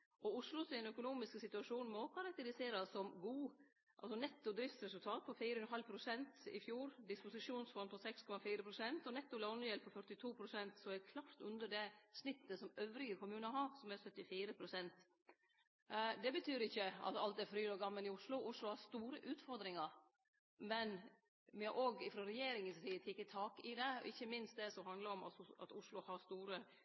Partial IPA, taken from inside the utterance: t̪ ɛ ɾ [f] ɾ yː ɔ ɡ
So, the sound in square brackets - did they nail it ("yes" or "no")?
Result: yes